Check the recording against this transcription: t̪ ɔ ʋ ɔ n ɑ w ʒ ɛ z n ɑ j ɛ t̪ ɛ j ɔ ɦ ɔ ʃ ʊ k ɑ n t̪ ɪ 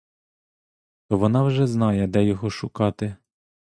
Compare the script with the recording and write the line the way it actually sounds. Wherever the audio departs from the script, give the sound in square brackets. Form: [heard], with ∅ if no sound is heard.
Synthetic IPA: t̪ ɔ ʋ ɔ n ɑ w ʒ ɛ z n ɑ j ɛ [d̪] ɛ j ɔ ɦ ɔ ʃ ʊ k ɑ [∅] t̪ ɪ

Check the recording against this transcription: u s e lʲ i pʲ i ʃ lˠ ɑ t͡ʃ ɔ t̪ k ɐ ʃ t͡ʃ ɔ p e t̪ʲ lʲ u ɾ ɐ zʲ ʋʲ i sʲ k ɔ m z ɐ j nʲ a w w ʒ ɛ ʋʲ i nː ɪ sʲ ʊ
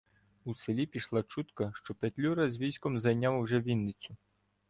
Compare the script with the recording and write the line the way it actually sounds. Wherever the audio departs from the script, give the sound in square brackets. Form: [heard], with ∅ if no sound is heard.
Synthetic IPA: u s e lʲ i pʲ i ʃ lˠ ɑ t͡ʃ [u] t̪ k ɐ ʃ t͡ʃ ɔ p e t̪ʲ lʲ u ɾ ɐ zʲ ʋʲ i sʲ k ɔ m z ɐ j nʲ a w w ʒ ɛ ʋʲ i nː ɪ [t͡sʲ] ʊ

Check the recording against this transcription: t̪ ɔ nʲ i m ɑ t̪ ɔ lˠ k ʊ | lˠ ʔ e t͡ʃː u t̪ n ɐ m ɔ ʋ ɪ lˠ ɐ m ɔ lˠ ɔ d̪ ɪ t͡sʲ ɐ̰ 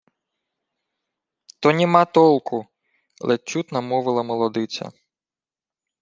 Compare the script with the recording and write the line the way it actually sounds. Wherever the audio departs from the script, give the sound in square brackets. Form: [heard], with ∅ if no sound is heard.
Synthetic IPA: t̪ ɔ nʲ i m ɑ t̪ ɔ lˠ k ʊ | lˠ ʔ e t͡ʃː u t̪ n ɐ m ɔ ʋ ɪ lˠ ɐ m ɔ lˠ ɔ d̪ ɪ t͡sʲ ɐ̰

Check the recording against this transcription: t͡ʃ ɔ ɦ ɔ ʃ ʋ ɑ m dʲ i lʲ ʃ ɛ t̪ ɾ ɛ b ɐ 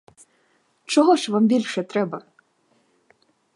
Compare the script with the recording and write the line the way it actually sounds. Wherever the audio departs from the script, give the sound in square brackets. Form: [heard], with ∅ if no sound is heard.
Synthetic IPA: t͡ʃ ɔ ɦ ɔ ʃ ʋ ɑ m [bʲ] i lʲ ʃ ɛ t̪ ɾ ɛ b ɐ

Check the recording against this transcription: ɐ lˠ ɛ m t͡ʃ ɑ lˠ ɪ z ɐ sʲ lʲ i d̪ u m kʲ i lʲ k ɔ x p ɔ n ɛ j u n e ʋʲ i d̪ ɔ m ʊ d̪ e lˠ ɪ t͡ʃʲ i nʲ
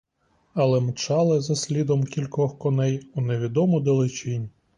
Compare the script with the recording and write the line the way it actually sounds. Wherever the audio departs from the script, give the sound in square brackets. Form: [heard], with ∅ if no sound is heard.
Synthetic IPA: ɐ lˠ ɛ m t͡ʃ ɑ lˠ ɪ z ɐ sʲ lʲ i d̪ [ɔ] m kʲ i lʲ k ɔ x [k] ɔ n ɛ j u n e ʋʲ i d̪ ɔ m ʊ d̪ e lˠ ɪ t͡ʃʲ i nʲ

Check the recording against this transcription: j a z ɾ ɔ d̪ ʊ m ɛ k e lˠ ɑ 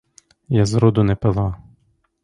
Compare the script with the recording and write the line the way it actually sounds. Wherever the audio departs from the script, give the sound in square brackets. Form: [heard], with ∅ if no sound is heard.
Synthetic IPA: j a z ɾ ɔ d̪ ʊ [n] ɛ [p] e lˠ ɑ

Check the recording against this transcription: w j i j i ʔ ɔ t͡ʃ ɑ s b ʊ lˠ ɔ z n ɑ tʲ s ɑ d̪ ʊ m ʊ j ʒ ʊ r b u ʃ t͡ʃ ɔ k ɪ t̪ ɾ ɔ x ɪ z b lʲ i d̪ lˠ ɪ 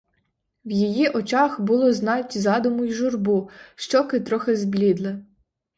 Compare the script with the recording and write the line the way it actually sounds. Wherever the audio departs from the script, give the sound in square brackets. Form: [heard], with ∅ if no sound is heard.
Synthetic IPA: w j i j i ʔ ɔ t͡ʃ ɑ [x] b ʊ lˠ ɔ z n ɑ tʲ [z] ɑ d̪ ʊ m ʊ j ʒ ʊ r b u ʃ t͡ʃ ɔ k ɪ t̪ ɾ ɔ x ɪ z b lʲ i d̪ lˠ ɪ

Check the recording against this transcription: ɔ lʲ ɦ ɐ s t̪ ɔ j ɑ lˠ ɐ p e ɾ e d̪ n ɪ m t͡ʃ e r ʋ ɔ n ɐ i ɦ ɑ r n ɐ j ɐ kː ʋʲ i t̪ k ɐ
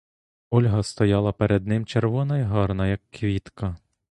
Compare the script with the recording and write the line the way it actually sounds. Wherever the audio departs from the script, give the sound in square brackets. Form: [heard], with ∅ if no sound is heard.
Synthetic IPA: ɔ lʲ ɦ ɐ s t̪ ɔ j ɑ lˠ ɐ p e ɾ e d̪ n ɪ m t͡ʃ e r ʋ ɔ n ɐ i ɦ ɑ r n ɐ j ɐ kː ʋʲ i t̪ k ɐ

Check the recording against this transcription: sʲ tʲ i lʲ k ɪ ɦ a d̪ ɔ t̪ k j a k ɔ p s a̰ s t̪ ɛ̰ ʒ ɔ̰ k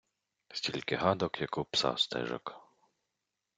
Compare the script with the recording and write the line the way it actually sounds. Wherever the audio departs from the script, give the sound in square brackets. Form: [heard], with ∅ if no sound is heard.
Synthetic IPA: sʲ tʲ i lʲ k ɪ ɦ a d̪ ɔ [∅] k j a k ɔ p s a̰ s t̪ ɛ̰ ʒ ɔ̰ k

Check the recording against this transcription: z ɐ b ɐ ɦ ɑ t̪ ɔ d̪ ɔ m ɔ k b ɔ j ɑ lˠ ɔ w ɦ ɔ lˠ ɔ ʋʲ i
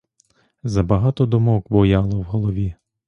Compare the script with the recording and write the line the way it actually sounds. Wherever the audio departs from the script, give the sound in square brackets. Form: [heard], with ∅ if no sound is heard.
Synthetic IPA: z ɐ b ɐ ɦ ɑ t̪ ɔ d̪ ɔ m ɔ k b ɔ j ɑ lˠ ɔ w ɦ ɔ lˠ ɔ ʋʲ i

